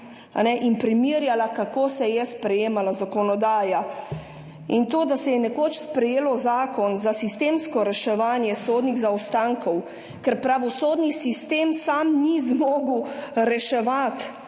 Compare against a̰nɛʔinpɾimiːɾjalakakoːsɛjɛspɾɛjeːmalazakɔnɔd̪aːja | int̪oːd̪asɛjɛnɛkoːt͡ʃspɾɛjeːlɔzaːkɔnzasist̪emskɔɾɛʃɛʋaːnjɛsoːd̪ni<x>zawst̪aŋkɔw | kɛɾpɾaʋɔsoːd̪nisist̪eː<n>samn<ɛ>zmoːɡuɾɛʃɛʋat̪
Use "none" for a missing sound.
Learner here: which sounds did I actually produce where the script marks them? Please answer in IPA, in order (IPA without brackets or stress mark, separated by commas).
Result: ɣ, m, i